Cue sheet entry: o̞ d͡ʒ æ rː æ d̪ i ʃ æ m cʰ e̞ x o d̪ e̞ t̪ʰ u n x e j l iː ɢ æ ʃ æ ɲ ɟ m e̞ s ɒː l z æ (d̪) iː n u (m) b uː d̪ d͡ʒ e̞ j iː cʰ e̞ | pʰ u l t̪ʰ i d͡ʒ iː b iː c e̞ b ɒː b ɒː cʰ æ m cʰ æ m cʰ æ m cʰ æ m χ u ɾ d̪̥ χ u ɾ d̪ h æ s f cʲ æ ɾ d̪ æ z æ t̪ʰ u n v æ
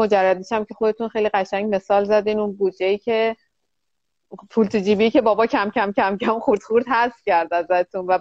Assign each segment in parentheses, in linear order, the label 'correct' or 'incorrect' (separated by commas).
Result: correct, incorrect